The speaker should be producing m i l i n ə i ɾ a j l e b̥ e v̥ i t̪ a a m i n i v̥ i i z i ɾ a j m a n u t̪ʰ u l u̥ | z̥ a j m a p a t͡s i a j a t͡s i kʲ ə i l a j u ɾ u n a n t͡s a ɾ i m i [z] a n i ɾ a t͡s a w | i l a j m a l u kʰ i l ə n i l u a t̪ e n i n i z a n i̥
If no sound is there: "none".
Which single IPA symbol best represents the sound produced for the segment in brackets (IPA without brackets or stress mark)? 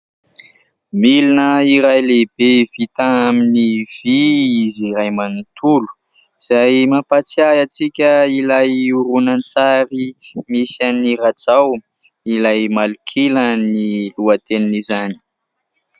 s